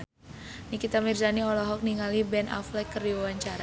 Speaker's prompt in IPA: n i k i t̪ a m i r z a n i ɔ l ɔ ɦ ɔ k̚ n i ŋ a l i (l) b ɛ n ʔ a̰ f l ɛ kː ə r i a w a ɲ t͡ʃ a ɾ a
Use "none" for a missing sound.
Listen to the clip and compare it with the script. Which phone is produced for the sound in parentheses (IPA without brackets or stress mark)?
none